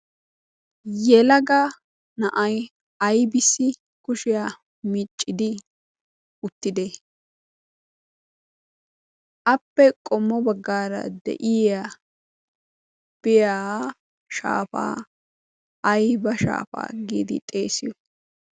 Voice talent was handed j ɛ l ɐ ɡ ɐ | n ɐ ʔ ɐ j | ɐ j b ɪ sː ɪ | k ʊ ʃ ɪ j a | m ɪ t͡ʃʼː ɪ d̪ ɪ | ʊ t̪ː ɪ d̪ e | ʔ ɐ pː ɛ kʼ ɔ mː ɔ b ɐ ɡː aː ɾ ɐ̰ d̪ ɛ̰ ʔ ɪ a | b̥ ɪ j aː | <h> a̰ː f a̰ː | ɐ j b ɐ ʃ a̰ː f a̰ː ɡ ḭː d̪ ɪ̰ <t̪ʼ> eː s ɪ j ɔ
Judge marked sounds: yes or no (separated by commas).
no, yes